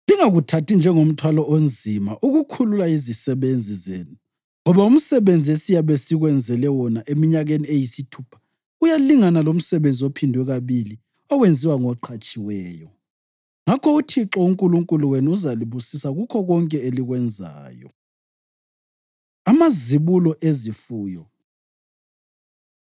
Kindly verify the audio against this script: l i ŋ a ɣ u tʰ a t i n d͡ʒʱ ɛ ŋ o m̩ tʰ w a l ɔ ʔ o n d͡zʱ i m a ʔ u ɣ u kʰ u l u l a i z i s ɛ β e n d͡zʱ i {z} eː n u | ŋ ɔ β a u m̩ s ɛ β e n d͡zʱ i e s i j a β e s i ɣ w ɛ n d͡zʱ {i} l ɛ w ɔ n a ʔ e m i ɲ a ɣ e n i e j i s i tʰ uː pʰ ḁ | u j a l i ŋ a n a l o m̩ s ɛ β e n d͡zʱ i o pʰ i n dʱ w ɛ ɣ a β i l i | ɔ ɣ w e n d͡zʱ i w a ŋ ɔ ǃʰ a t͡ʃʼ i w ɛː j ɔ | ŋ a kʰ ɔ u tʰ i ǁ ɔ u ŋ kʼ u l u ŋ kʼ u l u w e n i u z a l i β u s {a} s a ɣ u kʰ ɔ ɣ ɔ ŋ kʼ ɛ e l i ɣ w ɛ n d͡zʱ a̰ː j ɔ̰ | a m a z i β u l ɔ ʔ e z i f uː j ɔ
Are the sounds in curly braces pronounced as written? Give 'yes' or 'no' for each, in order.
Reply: yes, no, no

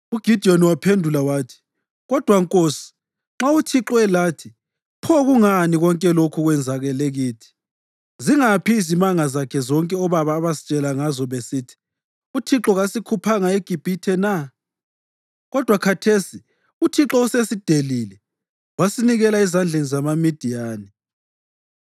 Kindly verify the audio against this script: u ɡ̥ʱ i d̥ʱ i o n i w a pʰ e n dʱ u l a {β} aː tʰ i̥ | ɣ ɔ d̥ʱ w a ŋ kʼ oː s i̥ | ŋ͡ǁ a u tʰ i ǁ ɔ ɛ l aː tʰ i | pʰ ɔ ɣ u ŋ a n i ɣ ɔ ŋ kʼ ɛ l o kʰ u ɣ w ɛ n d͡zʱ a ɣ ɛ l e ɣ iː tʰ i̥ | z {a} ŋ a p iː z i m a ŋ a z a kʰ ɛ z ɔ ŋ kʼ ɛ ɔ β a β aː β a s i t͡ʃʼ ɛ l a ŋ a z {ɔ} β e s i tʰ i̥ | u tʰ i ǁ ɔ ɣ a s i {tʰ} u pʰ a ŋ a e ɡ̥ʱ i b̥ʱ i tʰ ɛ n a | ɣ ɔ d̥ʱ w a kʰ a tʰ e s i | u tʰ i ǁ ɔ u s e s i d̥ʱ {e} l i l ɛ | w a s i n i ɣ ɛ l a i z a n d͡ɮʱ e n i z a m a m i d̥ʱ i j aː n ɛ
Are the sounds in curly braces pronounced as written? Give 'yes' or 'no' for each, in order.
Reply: no, no, yes, no, yes

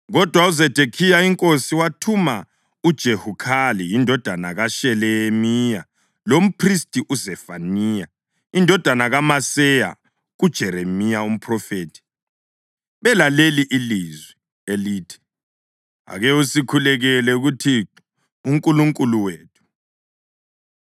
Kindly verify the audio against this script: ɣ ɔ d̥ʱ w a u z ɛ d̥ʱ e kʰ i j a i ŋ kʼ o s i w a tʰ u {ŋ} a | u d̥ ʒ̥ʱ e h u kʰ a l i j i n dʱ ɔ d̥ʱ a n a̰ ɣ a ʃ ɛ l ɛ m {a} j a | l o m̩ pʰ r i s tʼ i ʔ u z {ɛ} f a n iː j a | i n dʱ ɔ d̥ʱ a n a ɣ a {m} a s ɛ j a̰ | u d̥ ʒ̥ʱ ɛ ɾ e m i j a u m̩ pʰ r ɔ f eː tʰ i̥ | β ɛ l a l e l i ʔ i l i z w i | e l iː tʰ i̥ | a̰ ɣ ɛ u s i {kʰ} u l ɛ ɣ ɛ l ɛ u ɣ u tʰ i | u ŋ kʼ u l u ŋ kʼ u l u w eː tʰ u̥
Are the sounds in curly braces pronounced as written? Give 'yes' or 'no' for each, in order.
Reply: no, no, yes, yes, yes

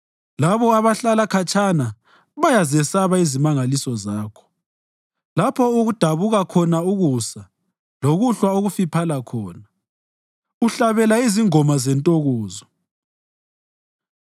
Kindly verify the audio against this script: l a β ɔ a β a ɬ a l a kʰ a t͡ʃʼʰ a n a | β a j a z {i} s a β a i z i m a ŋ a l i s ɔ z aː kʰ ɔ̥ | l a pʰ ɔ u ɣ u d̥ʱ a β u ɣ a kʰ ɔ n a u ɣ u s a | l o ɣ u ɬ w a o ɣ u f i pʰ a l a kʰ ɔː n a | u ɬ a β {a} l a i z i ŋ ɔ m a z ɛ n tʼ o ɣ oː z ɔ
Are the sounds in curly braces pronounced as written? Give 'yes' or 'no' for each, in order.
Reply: no, no

